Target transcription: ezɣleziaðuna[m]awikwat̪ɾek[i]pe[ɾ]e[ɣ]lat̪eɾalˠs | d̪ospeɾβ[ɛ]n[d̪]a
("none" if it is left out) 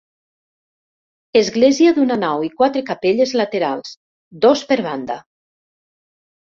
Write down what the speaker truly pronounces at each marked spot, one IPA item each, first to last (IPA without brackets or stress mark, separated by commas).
n, a, ʎ, z, a, d̪